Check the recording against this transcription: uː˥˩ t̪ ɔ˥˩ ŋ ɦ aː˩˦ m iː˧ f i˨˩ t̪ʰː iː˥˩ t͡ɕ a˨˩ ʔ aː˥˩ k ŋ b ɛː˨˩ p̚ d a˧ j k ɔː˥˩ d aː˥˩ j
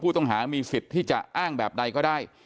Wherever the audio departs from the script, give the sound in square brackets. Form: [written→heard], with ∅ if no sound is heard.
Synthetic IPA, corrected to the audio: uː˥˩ t̪ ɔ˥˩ ŋ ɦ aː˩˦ m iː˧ f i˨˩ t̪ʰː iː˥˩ t͡ɕ a˨˩ ʔ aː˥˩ [k→∅] ŋ b ɛː˨˩ p̚ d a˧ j k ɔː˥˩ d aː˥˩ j

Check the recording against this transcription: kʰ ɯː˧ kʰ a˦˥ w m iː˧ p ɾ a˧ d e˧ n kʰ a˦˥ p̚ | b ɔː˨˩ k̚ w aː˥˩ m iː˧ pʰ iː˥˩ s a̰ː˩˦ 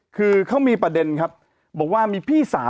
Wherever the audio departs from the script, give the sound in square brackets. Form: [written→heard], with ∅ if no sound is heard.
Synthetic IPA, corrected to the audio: kʰ ɯː˧ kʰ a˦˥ w m iː˧ p ɾ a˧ d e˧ n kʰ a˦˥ p̚ | b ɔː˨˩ k̚ w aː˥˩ m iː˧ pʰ iː˥˩ s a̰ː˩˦

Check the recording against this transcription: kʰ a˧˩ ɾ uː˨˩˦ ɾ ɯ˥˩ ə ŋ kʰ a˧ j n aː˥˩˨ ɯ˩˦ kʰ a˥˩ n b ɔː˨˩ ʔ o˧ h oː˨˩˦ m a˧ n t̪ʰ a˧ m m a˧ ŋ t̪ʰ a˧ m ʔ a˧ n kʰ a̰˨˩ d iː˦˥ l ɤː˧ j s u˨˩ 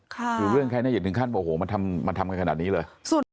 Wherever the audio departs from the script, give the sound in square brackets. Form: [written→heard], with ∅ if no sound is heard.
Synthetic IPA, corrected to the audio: kʰ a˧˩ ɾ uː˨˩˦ ɾ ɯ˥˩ ə ŋ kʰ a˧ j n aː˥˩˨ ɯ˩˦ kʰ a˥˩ n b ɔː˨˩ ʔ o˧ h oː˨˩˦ m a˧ n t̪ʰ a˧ m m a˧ [ŋ→n] t̪ʰ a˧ m [ʔ→k] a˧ n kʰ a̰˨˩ [d→n] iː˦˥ l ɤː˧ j s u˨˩

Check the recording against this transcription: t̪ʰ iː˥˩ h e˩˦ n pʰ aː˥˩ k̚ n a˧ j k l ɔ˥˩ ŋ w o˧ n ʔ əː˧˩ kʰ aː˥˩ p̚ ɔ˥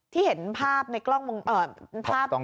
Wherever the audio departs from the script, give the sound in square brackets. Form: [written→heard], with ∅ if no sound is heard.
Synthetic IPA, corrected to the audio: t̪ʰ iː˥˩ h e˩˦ n pʰ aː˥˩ [k̚→p̚] n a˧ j k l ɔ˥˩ ŋ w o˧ [n→ŋ] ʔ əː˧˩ [kʰ→pʰ] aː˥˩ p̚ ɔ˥

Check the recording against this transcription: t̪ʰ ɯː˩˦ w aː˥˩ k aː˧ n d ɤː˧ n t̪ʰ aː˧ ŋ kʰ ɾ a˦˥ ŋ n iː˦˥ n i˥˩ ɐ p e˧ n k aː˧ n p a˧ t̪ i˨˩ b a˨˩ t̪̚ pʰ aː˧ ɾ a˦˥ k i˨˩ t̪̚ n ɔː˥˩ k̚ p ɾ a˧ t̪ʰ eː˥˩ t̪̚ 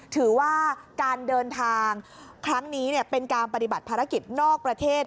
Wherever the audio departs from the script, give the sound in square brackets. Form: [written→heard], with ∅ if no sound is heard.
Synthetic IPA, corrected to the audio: t̪ʰ ɯː˩˦ w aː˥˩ k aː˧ n d ɤː˧ n t̪ʰ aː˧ ŋ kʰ ɾ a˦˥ ŋ n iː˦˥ n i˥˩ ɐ p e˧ n k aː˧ n p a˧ t̪ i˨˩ b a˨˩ t̪̚ pʰ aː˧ ɾ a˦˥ k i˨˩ t̪̚ n ɔː˥˩ k̚ p ɾ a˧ t̪ʰ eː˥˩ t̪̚

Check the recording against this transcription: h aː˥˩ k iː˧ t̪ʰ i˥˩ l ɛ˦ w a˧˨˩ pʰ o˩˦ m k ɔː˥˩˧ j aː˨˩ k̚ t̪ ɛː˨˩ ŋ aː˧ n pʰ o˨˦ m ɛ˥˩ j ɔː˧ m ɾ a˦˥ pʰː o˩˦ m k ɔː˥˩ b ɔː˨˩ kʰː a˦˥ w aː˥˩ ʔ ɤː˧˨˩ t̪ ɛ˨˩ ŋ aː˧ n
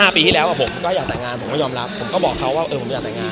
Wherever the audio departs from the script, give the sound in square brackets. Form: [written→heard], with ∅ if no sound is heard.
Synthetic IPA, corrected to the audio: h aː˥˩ [k→p] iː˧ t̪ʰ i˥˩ l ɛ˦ w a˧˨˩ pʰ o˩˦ m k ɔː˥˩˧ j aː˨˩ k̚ t̪ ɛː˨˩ ŋ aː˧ n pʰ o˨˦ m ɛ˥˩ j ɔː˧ m ɾ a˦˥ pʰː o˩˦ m k ɔː˥˩ b ɔː˨˩ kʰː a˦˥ w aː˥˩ ʔ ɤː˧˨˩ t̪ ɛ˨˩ ŋ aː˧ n

